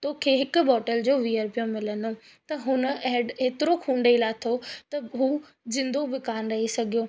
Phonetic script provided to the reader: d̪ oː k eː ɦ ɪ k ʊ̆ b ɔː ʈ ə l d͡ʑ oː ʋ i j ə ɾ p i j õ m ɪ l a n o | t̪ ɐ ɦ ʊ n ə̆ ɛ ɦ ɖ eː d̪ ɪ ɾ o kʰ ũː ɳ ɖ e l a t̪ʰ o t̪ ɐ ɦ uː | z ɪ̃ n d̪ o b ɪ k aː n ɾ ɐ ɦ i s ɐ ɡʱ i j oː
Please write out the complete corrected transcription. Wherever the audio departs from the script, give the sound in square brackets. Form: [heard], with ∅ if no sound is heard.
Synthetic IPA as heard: [t̪] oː [kʰ] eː ɦ ɪ k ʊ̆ b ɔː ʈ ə l d͡ʑ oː ʋ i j ə ɾ p i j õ m ɪ l [ə] n o | t̪ ɐ ɦ ʊ n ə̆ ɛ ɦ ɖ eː [t̪] ɪ ɾ o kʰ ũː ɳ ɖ e l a t̪ʰ o t̪ ɐ ɦ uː | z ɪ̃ n d̪ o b ɪ k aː n ɾ ɐ ɦ i s ɐ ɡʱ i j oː